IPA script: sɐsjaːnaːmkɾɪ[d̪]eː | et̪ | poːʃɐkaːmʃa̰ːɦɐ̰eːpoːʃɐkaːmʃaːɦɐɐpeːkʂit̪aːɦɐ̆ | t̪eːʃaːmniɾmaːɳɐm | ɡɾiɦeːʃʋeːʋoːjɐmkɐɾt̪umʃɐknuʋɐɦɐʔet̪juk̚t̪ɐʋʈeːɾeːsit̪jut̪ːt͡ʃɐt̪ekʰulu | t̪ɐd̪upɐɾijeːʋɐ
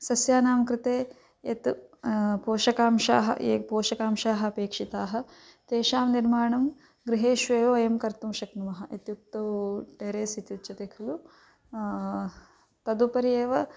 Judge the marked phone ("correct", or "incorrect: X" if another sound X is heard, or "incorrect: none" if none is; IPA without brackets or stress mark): incorrect: t̪